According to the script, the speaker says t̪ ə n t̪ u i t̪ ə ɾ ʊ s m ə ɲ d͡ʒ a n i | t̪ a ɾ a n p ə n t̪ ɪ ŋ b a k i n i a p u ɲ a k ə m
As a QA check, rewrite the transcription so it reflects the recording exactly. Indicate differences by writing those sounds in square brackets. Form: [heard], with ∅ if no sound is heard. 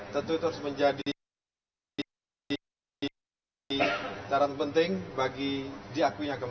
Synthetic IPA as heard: t̪ ə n t̪ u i t̪ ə ɾ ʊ s m ə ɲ d͡ʒ a [d] i | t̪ a ɾ a n p ə n t̪ ɪ ŋ b a [ɡ] i [d] i a [k] u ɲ a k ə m